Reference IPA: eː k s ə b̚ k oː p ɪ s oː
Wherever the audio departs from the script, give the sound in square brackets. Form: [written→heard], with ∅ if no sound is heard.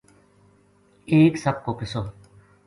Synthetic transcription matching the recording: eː k s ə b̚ k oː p ɪ s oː